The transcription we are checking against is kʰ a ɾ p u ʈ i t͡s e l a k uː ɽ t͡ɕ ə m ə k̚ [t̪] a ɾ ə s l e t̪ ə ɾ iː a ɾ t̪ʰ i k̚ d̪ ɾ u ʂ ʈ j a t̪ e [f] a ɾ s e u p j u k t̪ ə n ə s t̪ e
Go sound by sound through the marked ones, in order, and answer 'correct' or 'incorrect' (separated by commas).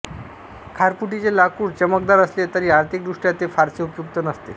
incorrect, correct